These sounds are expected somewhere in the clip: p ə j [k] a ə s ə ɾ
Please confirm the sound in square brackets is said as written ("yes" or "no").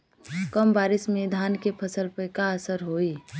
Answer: yes